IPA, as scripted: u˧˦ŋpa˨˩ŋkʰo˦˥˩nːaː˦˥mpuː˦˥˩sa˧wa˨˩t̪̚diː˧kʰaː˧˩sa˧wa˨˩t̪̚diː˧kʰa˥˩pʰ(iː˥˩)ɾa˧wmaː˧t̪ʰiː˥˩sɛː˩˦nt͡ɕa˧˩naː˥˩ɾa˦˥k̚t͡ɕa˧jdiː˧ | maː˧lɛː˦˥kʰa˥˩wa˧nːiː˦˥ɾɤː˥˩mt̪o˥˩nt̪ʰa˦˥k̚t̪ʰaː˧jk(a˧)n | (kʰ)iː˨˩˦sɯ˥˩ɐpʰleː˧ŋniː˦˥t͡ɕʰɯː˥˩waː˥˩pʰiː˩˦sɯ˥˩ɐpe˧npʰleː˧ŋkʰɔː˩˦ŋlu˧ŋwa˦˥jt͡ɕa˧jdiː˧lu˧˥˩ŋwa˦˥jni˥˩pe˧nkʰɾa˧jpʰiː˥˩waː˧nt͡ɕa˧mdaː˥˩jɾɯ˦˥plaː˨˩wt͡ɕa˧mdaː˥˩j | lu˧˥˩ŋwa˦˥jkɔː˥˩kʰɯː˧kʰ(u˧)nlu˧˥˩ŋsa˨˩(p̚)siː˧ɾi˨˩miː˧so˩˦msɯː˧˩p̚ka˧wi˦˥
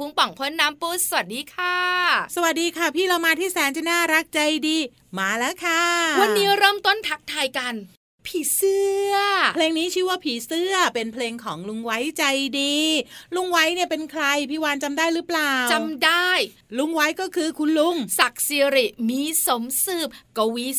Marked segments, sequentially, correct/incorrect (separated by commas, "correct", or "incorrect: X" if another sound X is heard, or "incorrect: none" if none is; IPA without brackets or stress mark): correct, correct, incorrect: pʰ, correct, incorrect: k̚